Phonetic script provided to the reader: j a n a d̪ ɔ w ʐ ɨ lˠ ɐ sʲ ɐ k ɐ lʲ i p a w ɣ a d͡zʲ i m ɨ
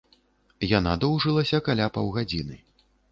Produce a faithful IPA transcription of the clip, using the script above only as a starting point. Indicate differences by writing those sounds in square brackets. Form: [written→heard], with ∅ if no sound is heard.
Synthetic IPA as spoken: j a n a d̪ ɔ w ʐ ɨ lˠ ɐ sʲ ɐ k [ɐ→a] lʲ [i→a] p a w ɣ a d͡zʲ i [m→n] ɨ